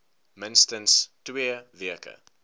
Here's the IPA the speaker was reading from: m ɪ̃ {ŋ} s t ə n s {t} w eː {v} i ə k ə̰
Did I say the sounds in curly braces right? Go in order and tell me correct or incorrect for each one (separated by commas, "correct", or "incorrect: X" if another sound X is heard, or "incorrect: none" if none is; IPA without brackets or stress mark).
incorrect: n, correct, correct